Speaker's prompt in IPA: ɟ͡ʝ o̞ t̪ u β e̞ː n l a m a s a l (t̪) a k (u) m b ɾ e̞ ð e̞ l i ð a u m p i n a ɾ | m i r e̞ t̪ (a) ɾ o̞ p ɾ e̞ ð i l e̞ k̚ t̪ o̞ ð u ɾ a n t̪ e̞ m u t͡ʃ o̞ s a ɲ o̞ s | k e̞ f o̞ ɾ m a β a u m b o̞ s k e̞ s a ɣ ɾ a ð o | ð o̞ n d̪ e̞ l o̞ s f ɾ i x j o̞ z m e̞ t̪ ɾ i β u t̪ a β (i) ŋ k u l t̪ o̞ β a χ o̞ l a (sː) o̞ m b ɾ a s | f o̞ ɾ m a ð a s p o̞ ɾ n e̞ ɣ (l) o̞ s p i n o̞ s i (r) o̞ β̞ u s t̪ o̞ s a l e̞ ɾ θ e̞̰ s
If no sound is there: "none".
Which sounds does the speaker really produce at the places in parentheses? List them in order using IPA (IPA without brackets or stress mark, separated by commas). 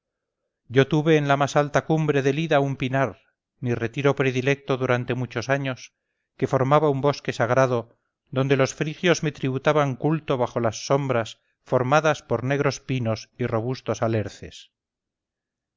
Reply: t̪, u, i, a, sː, ɾ, r